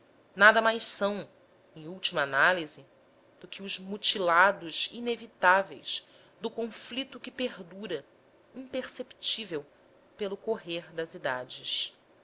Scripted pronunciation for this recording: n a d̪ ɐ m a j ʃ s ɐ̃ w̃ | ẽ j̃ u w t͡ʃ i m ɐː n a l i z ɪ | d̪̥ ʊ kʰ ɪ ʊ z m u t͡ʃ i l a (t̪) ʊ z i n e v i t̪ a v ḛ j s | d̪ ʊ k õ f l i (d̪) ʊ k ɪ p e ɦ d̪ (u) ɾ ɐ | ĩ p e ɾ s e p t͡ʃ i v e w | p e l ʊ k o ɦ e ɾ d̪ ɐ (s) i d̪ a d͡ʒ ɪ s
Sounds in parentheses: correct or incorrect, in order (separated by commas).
incorrect, incorrect, correct, incorrect